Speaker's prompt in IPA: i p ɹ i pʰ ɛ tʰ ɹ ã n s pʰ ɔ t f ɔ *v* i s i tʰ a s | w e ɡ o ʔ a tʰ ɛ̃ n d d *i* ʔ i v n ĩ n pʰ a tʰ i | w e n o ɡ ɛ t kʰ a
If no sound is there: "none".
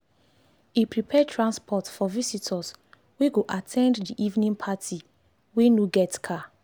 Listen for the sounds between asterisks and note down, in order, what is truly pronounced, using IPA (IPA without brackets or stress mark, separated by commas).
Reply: v, i